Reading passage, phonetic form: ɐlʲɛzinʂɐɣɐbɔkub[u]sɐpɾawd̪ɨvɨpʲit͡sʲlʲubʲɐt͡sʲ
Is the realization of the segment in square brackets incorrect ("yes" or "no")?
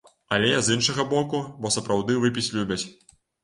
yes